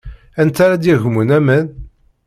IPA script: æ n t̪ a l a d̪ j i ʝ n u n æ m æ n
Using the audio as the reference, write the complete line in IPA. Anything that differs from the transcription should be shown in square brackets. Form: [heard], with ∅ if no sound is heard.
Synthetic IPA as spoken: æ n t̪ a [ɾ] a d̪ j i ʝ [m] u n æ m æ n